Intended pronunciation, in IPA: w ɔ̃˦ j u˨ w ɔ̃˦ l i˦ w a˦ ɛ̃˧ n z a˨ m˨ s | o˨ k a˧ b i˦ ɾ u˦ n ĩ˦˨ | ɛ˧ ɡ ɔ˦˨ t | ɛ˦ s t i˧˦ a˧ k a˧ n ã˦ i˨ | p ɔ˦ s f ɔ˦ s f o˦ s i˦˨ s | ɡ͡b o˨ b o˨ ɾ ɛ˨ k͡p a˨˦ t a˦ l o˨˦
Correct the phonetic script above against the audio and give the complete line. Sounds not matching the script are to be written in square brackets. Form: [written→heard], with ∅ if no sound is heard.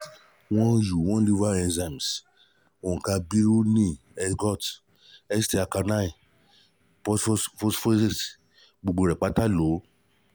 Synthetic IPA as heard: w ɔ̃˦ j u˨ w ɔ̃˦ l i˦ [w→v] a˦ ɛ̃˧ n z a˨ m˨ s | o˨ k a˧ b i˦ ɾ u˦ n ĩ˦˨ | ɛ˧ ɡ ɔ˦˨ t | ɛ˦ s t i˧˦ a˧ k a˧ n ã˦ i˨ | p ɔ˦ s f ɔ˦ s f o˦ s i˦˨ s | ɡ͡b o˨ [b→ɡ͡b] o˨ ɾ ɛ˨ k͡p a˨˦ t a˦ l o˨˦